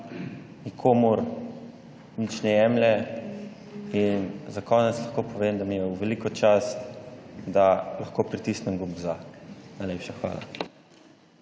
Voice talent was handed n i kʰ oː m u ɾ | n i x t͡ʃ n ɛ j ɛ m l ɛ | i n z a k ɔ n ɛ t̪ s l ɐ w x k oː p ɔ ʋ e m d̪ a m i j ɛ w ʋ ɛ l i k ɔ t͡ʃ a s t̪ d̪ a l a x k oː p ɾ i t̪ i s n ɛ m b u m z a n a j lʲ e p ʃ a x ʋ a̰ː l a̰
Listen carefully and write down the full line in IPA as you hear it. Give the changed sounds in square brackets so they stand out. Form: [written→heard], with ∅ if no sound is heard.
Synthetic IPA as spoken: n i kʰ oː m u ɾ | n i [x→∅] t͡ʃ n ɛ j ɛ m l ɛ | i n z a k ɔ n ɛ t̪ s l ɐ [w→∅] x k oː p ɔ ʋ e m d̪ a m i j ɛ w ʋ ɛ l i k ɔ t͡ʃ a s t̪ d̪ a l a x k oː p ɾ i t̪ i s n ɛ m [b→ɡ] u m z a n a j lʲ e p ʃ a x ʋ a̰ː l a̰